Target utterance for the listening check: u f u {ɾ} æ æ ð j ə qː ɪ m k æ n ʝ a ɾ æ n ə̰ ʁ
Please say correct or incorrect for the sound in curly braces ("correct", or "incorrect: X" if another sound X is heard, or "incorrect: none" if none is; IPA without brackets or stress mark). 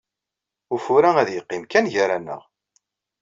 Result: correct